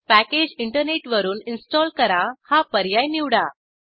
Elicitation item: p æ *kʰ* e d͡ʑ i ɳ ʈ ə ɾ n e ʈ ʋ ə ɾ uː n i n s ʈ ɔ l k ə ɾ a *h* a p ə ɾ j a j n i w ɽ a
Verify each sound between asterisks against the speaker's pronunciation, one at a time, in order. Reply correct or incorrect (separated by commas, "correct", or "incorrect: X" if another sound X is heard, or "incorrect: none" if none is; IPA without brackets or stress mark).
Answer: incorrect: k, correct